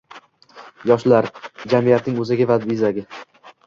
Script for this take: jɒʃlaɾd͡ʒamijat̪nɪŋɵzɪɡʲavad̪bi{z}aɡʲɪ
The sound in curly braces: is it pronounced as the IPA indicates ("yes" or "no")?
yes